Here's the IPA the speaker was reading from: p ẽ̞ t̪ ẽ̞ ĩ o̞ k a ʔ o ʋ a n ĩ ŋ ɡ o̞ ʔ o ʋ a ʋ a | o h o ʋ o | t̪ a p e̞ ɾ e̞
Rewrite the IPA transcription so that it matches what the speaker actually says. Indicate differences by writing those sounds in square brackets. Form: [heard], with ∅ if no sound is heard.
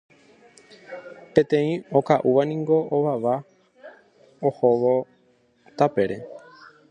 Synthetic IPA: p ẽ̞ t̪ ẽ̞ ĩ o̞ k a ʔ [u] ʋ a n ĩ ŋ ɡ o̞ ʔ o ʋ a ʋ a | o h o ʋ o | t̪ a p e̞ ɾ e̞